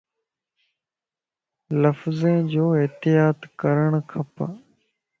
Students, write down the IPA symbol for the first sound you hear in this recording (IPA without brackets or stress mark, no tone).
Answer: l